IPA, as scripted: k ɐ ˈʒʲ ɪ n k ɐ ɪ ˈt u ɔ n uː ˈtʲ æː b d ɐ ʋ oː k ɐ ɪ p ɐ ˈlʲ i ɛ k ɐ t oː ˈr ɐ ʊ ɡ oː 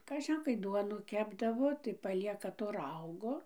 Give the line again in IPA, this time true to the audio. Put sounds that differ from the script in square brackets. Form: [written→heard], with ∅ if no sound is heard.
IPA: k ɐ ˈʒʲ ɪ n k ɐ ɪ [ˈt→ˈd] u ɔ n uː [ˈtʲ→ˈkʲ] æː b d ɐ ʋ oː [k→t] ɐ ɪ p ɐ ˈlʲ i ɛ k ɐ t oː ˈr ɐ ʊ ɡ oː